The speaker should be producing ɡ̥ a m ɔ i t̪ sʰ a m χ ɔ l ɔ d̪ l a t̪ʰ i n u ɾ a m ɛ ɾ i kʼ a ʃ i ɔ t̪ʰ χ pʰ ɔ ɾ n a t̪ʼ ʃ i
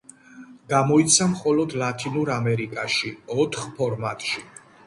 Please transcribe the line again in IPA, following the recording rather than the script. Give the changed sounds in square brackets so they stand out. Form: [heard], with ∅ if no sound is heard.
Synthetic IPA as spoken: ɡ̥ a m ɔ i t̪ sʰ a m χ ɔ l ɔ d̪ l a t̪ʰ i n u ɾ a m ɛ ɾ i kʼ a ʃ i ɔ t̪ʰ χ pʰ ɔ ɾ [m] a t̪ʼ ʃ i